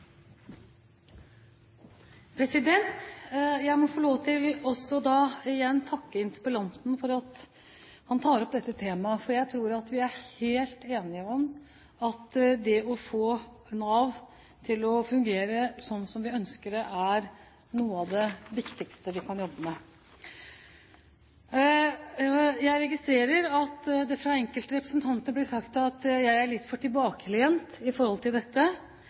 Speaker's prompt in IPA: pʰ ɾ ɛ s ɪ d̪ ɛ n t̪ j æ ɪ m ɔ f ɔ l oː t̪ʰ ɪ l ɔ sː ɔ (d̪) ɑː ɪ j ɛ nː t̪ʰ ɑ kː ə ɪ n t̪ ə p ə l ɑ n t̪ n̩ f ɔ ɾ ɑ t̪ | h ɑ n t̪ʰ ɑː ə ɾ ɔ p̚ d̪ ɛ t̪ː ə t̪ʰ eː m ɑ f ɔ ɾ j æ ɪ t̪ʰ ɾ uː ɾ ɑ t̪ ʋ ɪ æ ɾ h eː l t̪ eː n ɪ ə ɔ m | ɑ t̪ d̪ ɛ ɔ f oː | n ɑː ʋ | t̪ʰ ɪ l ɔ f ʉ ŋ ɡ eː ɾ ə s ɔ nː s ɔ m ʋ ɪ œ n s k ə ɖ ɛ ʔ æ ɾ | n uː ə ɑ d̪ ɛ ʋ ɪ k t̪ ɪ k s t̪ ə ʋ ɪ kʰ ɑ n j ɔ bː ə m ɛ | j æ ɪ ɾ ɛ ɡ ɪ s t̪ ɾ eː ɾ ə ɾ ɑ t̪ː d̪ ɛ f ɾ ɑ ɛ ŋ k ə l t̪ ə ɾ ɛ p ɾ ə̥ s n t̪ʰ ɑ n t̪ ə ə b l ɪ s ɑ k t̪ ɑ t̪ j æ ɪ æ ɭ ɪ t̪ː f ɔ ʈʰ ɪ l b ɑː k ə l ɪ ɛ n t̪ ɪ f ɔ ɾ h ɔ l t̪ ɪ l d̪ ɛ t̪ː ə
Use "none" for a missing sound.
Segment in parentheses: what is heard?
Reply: d̪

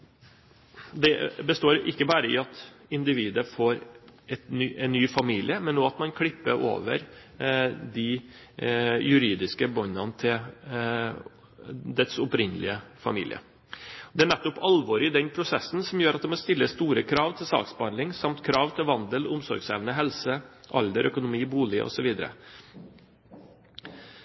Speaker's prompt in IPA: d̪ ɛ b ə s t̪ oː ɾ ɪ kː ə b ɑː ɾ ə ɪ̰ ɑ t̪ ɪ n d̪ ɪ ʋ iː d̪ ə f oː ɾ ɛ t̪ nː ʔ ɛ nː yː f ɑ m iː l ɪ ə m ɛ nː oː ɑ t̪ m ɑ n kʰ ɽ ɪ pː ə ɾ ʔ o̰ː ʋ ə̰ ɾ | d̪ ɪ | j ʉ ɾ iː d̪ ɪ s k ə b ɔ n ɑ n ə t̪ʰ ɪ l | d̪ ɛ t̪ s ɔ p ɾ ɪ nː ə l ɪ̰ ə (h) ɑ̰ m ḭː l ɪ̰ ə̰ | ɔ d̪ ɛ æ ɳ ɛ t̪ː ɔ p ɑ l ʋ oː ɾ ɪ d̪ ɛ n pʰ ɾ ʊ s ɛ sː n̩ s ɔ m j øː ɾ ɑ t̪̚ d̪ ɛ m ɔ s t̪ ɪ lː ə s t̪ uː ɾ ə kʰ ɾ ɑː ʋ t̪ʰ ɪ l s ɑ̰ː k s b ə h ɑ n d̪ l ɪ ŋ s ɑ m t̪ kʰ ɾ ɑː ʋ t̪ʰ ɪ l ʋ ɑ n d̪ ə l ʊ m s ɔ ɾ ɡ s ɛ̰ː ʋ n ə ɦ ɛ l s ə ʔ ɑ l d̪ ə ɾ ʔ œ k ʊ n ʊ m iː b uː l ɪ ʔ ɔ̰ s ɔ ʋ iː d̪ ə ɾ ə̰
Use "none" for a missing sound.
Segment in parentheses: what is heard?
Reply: f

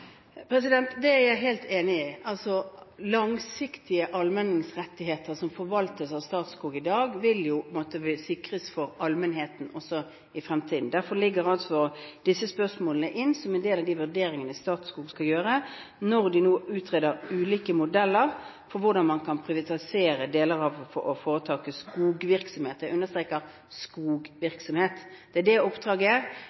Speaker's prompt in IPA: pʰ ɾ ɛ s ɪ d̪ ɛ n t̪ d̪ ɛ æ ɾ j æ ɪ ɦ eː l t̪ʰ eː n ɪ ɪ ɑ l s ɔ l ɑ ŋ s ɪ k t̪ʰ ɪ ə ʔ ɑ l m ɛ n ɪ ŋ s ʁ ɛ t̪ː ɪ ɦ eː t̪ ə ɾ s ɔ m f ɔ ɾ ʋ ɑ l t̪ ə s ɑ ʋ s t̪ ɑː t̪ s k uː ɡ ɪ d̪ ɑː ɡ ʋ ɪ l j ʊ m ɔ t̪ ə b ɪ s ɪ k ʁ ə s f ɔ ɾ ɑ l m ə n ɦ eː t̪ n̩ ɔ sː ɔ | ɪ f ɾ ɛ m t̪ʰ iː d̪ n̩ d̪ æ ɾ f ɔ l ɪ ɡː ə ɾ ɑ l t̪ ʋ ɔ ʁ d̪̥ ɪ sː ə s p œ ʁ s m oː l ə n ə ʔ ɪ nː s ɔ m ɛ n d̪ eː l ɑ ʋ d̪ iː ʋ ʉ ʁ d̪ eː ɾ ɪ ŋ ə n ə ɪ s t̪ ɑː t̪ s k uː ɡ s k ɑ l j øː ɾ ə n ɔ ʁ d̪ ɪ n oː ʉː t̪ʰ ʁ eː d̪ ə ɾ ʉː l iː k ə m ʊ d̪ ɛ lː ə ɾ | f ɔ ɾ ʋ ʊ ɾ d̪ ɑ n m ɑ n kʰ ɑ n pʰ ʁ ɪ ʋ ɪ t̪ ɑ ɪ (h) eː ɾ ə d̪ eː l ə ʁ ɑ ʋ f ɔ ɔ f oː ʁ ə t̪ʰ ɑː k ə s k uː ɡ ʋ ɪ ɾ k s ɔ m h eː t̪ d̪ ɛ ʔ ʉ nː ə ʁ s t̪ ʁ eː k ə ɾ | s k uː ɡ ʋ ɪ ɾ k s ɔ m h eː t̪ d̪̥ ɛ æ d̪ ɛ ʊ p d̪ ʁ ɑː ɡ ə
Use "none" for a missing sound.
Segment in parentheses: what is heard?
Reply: s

